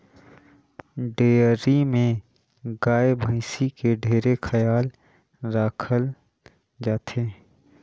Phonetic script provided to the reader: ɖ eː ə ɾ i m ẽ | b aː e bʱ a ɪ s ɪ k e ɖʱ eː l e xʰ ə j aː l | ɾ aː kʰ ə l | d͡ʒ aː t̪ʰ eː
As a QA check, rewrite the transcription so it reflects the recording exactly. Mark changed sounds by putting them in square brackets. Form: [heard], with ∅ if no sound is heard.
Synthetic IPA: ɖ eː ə ɾ i m ẽ | [ɡ] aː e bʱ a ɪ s [i] k e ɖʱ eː [ɾ] e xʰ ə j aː l | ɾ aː kʰ ə l | d͡ʒ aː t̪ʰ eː